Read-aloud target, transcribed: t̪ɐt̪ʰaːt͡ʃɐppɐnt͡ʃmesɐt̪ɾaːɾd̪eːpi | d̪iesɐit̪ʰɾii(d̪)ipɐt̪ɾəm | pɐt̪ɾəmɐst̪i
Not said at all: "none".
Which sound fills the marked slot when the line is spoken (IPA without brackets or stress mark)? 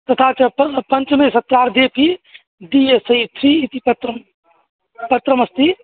t̪